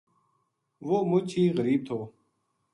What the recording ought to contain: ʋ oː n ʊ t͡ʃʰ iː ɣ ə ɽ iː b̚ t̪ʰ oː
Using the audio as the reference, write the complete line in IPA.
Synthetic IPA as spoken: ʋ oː m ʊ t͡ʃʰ iː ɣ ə ɾ iː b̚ t̪ʰ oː